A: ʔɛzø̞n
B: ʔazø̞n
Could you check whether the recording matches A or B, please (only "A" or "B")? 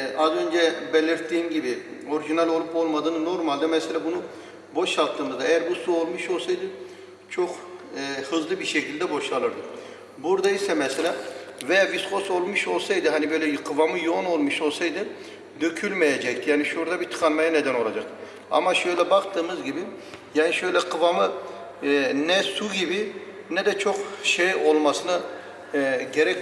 B